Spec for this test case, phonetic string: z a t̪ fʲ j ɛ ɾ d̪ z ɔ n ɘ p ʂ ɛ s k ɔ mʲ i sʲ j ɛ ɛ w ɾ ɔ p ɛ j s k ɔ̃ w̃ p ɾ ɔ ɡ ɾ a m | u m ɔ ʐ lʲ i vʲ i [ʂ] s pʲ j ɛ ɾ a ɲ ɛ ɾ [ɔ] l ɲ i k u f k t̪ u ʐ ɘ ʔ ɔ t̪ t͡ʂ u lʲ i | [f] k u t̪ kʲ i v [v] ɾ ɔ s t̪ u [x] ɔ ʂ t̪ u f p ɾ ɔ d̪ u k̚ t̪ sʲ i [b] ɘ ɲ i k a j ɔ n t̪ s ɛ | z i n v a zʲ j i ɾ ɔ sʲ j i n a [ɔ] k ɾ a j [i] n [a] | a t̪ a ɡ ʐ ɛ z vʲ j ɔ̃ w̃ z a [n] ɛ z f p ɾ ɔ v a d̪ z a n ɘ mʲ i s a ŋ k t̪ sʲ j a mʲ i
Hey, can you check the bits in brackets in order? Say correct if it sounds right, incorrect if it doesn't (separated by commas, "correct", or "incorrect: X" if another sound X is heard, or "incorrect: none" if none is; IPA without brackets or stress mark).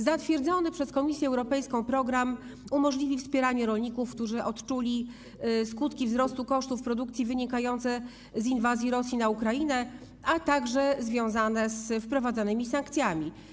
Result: incorrect: f, correct, incorrect: s, incorrect: z, incorrect: k, incorrect: v, incorrect: u, correct, incorrect: ɛ, correct